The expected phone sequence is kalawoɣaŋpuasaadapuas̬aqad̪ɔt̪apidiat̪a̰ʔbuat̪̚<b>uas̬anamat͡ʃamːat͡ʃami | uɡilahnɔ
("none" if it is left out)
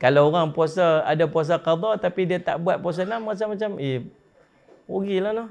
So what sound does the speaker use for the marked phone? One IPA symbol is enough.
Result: p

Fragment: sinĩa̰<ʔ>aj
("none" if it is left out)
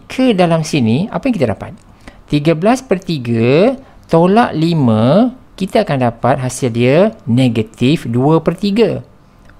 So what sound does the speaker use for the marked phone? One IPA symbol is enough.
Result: p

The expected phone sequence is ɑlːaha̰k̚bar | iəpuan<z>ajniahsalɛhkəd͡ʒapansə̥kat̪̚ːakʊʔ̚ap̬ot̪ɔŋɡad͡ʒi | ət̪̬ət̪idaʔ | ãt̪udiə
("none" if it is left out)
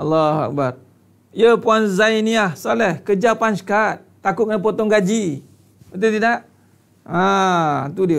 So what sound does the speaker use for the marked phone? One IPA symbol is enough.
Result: z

